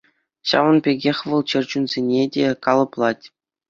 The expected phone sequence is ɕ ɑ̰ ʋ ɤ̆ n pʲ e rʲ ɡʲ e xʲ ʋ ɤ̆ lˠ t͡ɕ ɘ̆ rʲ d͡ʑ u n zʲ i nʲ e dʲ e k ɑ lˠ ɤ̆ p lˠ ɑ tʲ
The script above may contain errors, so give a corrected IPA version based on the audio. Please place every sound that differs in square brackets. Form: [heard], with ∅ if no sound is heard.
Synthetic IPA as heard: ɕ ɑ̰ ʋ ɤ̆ n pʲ e [∅] ɡʲ e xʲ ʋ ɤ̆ lˠ t͡ɕ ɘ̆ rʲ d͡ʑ u n zʲ [e] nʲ e dʲ e k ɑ lˠ ɤ̆ p lˠ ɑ tʲ